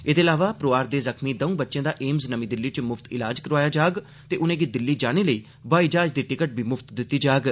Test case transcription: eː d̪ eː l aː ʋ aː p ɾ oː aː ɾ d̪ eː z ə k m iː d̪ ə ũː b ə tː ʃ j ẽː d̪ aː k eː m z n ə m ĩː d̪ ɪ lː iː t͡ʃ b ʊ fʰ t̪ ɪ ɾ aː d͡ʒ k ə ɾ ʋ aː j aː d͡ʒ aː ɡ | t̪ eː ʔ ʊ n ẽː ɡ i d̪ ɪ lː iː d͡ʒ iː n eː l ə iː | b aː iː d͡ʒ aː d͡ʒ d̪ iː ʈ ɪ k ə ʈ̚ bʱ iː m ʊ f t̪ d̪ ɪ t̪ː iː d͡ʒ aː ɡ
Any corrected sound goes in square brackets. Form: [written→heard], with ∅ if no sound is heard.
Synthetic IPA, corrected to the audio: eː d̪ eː l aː ʋ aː p ɾ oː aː ɾ d̪ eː z ə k m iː d̪ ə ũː b ə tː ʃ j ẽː d̪ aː [k→ʔ] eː m z n ə m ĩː d̪ ɪ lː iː t͡ʃ [b→m] ʊ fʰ t̪ ɪ [ɾ→l] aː d͡ʒ k ə ɾ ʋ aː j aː d͡ʒ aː ɡ | t̪ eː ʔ ʊ n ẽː ɡ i d̪ ɪ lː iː d͡ʒ [iː→aː] n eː l ə iː | b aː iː d͡ʒ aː d͡ʒ d̪ iː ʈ ɪ k ə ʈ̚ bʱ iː m ʊ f t̪ d̪ ɪ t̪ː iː d͡ʒ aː ɡ